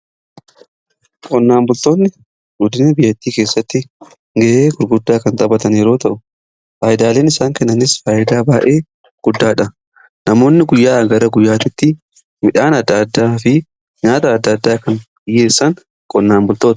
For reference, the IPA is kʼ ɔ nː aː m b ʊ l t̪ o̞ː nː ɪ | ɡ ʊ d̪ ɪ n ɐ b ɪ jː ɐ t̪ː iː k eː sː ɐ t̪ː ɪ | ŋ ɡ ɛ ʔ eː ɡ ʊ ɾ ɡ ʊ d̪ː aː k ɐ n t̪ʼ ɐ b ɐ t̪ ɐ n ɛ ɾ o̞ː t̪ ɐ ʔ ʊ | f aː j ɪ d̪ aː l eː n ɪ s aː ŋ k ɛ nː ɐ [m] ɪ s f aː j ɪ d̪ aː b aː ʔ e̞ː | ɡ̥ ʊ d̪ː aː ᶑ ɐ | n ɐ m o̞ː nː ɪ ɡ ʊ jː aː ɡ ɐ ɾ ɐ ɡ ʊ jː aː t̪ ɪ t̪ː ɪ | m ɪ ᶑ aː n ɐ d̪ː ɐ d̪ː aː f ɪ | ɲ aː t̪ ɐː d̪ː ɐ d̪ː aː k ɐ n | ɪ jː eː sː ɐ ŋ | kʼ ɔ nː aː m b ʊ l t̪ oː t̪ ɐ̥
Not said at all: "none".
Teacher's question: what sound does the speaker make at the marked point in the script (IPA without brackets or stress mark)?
n